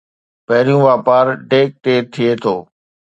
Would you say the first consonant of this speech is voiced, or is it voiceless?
voiceless